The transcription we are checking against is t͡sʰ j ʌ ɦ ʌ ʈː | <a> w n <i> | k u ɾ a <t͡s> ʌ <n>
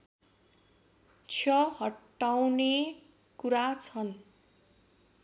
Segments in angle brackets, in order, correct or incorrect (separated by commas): correct, incorrect, incorrect, correct